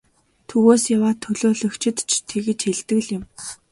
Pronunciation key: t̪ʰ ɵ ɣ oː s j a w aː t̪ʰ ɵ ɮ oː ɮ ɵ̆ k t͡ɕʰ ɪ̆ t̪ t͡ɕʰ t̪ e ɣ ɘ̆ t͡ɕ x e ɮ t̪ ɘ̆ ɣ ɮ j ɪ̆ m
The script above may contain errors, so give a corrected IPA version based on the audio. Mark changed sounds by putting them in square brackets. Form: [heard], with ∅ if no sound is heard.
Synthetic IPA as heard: t̪ʰ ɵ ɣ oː s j a w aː t̪ʰ ɵ ɮ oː ɮ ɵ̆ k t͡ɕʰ ɪ̆ t̪ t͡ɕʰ [t̪ʰ] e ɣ ɘ̆ t͡ɕ x e ɮ t̪ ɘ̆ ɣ ɮ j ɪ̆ m